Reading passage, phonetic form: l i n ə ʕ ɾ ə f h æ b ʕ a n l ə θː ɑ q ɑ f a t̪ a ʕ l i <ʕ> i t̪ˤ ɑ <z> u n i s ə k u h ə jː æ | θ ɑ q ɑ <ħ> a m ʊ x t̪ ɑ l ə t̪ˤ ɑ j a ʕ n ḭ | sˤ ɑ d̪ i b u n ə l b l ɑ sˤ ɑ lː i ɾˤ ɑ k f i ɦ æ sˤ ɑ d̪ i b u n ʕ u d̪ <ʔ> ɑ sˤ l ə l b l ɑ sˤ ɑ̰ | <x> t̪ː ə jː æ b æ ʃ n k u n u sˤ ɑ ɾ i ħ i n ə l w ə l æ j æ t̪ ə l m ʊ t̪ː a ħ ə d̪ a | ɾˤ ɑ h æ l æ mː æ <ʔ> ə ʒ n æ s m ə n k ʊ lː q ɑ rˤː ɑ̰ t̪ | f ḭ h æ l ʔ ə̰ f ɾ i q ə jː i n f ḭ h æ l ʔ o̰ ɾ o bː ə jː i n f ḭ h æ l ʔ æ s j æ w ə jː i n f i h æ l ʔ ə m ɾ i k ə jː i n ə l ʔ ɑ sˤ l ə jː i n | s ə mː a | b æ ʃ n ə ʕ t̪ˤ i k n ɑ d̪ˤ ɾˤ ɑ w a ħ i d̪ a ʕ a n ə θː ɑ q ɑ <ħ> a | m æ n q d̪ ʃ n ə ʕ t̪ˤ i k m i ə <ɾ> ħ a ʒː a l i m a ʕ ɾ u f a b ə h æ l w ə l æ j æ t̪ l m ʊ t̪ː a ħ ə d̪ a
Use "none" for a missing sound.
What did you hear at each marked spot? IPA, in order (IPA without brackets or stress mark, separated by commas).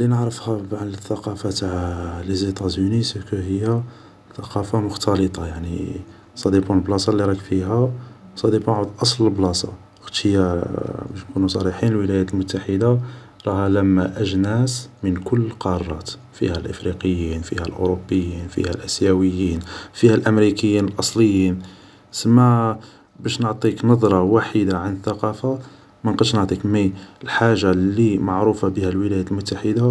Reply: z, z, f, ʔ, x, ʔ, f, l